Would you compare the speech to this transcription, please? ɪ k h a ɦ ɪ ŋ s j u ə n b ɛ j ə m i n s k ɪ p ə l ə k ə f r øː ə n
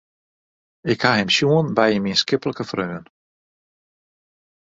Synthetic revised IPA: ɪ k h a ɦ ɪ m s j u ə n b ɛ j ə m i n s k ɪ p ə l ə k ə f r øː ə n